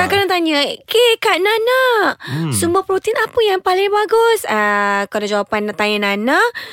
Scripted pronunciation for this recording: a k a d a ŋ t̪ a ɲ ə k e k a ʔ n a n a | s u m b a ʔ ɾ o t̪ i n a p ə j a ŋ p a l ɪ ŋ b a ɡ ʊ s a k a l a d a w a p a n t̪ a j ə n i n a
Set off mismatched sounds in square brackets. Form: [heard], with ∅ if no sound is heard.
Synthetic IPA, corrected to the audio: a k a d a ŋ t̪ a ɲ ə k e k a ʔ n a n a | s u m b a [p] ɾ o t̪ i n a p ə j a ŋ p a l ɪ ŋ b a ɡ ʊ s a k a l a [d͡ʒ] a w a p a n t̪ a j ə n [a] n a